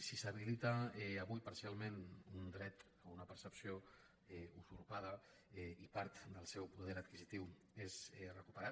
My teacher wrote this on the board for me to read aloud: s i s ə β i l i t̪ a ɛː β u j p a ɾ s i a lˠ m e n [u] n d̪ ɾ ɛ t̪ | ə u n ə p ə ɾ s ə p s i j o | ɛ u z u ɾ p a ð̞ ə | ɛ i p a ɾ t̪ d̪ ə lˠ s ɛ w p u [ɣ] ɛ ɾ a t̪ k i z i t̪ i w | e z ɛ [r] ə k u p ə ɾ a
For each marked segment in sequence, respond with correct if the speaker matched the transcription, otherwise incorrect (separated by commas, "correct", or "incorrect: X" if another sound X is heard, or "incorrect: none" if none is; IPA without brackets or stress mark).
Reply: correct, incorrect: ð, correct